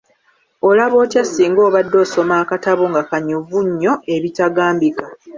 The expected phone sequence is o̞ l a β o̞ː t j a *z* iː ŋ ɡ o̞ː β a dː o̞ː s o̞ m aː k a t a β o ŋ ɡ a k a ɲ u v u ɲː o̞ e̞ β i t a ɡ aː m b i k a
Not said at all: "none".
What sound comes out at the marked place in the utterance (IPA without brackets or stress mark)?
s